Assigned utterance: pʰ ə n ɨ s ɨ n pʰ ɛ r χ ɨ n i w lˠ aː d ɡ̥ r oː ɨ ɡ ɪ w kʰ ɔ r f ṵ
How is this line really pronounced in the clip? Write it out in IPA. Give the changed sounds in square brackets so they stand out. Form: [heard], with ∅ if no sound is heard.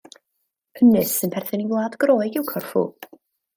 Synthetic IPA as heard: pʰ ə n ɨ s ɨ n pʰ ɛ r [θ] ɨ n i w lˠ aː d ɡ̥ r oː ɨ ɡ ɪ w kʰ ɔ r f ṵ

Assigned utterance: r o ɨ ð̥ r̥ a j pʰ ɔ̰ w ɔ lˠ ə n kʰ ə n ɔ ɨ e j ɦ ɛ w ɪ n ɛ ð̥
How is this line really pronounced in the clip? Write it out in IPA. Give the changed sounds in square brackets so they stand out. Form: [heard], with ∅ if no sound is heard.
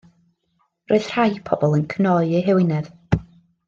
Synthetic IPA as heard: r o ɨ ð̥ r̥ a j pʰ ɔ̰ [b] ɔ lˠ ə n kʰ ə n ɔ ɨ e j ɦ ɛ w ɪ n ɛ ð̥

